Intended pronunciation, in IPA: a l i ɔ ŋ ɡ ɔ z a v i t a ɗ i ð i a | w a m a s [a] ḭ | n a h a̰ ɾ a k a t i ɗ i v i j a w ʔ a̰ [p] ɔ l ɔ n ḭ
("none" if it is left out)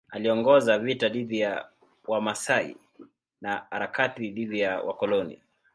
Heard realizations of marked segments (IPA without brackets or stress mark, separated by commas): a, k